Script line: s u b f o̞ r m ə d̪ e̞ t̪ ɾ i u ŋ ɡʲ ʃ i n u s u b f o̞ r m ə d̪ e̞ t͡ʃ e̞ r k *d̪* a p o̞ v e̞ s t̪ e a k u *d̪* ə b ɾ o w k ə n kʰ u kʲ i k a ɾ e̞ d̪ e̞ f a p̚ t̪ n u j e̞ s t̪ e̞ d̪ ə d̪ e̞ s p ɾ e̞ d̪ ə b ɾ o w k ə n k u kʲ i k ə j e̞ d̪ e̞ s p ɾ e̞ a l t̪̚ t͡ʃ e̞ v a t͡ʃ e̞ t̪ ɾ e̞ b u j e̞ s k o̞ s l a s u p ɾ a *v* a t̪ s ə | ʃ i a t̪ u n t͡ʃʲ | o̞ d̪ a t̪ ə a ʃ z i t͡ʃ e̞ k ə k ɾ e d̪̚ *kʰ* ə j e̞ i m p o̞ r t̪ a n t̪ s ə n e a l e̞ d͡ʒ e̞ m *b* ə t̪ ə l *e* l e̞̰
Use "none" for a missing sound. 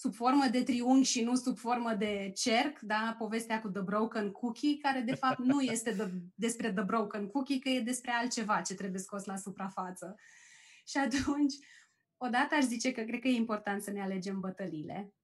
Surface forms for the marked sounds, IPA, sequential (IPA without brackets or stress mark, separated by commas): d̪, d̪, f, k, b, i